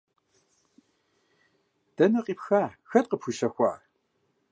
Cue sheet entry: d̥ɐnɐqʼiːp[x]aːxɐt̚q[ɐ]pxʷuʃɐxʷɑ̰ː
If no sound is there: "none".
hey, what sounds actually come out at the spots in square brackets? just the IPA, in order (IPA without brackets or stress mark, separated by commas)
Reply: x, ə